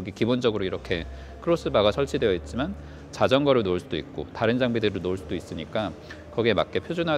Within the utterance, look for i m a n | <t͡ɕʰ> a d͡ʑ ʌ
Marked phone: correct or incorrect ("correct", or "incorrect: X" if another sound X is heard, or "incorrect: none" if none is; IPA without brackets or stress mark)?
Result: incorrect: t͡ɕ